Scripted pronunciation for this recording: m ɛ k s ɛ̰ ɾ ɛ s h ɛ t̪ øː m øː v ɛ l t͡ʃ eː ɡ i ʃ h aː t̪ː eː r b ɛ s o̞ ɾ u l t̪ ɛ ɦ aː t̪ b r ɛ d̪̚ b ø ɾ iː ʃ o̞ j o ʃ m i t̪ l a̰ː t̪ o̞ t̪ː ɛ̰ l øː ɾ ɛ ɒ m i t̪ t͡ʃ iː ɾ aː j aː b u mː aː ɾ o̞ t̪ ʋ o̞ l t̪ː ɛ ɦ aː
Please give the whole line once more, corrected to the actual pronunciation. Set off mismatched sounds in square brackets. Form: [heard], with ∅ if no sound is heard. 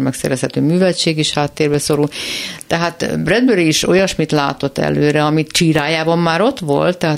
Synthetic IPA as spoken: m ɛ k s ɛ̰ ɾ ɛ s h ɛ t̪ øː m [yː] v ɛ l t͡ʃ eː ɡ i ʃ h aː t̪ː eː r b ɛ s o̞ ɾ u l t̪ ɛ ɦ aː t̪ b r ɛ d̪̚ b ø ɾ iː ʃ o̞ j [ɒ] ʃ m i t̪ l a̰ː t̪ o̞ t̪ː ɛ̰ l øː ɾ ɛ ɒ m i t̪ t͡ʃ iː ɾ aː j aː b [ɒ] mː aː ɾ o̞ t̪ ʋ o̞ l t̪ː ɛ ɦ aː